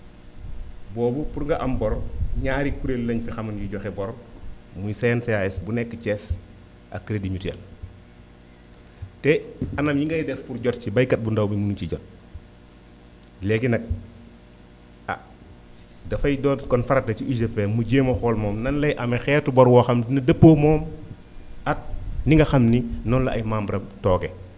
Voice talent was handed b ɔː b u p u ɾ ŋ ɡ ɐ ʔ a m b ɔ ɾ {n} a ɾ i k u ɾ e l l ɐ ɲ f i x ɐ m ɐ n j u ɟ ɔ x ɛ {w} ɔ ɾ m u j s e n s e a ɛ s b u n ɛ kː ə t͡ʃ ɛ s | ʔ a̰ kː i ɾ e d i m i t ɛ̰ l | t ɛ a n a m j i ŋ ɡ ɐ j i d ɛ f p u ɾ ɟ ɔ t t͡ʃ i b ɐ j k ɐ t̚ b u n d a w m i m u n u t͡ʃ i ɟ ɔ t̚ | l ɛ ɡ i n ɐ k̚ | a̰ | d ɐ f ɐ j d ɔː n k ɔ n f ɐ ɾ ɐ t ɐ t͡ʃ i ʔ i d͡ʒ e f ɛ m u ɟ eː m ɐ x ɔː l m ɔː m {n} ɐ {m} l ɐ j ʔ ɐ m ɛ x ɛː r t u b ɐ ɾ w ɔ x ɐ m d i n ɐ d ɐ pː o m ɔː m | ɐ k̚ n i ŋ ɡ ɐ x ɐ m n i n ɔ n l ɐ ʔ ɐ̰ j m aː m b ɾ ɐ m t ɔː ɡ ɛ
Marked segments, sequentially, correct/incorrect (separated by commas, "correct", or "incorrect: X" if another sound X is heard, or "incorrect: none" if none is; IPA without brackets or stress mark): incorrect: ɲ, incorrect: b, correct, incorrect: n